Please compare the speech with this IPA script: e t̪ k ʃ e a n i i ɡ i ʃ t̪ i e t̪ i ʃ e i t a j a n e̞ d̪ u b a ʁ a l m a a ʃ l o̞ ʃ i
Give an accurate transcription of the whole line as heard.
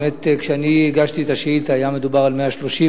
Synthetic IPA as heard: e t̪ k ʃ e a n i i ɡ a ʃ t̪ i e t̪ a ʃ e i t a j a m e̞ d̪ u b a ʁ a l m e a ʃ l o̞ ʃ i